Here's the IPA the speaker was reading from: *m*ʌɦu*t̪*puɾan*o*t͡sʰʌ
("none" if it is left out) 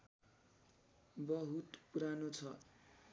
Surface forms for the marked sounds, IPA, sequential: b, t̪, o

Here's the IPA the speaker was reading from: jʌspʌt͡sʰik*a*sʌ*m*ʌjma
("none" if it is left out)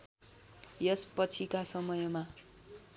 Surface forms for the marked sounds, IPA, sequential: a, m

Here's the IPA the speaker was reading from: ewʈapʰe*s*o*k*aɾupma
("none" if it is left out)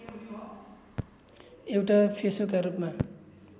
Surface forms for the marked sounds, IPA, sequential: s, k

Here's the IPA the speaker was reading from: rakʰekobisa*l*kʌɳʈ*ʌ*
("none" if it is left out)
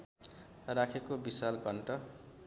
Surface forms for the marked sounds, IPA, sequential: l, ʌ

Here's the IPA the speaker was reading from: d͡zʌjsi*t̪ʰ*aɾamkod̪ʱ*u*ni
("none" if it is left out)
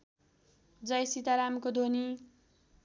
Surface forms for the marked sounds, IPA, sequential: t̪, o

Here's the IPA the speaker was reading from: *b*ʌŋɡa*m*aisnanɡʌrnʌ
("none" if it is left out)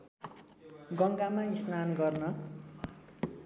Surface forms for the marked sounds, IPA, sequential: ɡ, m

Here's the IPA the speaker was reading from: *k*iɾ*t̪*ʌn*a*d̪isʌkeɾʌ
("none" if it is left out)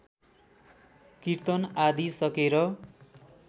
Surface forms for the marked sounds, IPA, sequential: k, t̪, a

